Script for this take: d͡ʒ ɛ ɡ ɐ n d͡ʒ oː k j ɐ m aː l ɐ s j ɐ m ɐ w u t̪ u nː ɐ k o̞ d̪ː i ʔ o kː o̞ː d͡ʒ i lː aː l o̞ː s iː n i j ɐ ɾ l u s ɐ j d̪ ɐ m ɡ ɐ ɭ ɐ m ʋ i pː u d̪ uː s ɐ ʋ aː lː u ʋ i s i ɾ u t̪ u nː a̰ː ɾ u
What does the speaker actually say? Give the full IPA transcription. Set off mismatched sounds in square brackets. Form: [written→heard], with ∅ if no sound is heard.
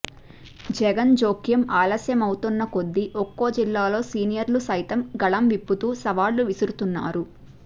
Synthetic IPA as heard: d͡ʒ ɛ ɡ ɐ n d͡ʒ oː k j ɐ m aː l ɐ s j ɐ m ɐ w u t̪ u nː ɐ k o̞ d̪ː i ʔ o kː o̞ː d͡ʒ i lː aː l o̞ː s iː n i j ɐ ɾ l u s ɐ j [d̪→t̪] ɐ m ɡ ɐ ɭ ɐ m ʋ i pː u [d̪→t̪] uː s ɐ ʋ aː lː u ʋ i s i ɾ u t̪ u nː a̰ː ɾ u